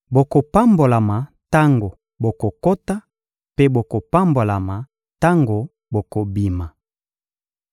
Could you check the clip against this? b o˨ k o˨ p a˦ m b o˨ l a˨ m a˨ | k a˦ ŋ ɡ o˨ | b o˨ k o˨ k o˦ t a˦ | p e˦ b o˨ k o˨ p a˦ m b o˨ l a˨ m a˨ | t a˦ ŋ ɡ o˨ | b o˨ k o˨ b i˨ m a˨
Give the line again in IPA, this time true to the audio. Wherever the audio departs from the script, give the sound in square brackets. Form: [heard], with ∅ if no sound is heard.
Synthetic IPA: b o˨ k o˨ p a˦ m b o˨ l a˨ m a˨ | [t] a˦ ŋ ɡ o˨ | b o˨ k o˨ k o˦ t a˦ | p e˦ b o˨ k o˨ p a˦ m b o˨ l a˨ m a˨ | t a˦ ŋ ɡ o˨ | b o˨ k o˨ b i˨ m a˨